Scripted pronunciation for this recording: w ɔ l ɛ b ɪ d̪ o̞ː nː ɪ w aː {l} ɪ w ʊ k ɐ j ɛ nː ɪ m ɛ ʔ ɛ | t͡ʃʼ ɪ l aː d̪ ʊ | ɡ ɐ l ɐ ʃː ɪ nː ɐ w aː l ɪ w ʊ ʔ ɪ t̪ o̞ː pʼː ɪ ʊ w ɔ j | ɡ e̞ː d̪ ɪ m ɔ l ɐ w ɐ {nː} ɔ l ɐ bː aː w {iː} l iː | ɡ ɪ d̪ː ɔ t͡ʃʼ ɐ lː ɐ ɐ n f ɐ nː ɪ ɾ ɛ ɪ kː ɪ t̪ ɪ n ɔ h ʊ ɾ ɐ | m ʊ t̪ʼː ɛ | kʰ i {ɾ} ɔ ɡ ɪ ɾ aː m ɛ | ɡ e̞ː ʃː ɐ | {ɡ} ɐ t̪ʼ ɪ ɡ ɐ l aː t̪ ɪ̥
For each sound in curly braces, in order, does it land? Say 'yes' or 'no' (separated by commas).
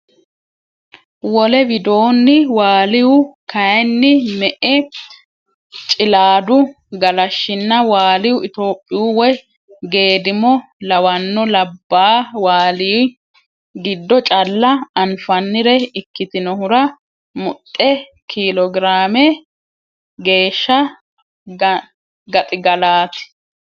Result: yes, yes, no, no, yes